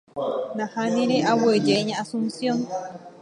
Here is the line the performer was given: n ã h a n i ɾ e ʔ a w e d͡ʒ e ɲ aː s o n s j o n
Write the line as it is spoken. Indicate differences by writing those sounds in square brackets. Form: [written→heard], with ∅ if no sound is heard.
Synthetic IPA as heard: n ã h a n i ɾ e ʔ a w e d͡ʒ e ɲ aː s [o→u] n s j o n